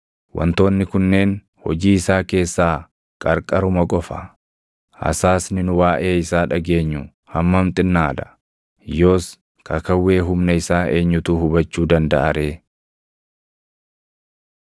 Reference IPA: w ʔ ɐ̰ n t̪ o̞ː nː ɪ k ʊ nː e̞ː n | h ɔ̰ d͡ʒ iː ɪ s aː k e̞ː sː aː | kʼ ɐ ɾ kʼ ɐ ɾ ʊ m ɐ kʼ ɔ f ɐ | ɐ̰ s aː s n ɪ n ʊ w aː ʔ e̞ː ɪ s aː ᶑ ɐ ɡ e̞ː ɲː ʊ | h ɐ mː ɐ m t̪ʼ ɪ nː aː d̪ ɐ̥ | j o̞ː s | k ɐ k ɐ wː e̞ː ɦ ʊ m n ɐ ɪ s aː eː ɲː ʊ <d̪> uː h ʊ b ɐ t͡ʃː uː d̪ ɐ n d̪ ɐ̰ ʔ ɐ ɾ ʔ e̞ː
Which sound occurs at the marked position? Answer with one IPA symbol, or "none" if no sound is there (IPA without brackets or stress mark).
t̪